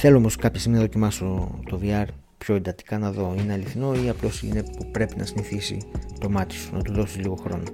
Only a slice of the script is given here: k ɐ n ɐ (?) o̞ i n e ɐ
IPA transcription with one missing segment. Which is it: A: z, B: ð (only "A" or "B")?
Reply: B